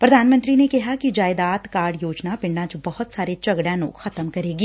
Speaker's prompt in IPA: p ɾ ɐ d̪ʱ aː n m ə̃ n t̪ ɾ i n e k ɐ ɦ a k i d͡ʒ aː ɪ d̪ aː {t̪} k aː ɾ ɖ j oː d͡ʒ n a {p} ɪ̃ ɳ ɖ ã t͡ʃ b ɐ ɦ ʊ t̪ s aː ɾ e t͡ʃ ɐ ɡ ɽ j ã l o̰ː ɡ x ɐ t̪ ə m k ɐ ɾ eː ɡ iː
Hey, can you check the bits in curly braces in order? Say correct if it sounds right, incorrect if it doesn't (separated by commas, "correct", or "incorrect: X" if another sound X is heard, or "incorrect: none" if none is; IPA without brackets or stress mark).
correct, correct